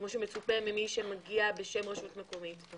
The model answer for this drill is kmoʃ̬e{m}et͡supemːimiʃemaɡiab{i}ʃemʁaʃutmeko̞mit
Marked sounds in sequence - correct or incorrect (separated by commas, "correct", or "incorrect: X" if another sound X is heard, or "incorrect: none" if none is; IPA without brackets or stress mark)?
correct, incorrect: e